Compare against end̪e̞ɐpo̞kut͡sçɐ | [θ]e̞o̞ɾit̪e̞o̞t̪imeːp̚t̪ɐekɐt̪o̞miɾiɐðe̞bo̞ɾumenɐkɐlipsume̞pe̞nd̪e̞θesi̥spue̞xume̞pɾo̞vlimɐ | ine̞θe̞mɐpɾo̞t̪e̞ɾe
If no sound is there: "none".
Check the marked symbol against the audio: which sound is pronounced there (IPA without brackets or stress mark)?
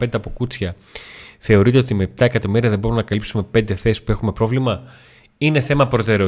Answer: θ